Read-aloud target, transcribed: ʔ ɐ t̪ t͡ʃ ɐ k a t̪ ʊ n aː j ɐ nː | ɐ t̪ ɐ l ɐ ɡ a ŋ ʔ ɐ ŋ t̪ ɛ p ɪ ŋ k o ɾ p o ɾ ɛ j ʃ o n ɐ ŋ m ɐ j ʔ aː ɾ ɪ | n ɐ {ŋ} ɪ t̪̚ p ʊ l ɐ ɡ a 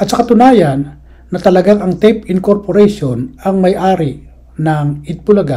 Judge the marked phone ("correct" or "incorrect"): correct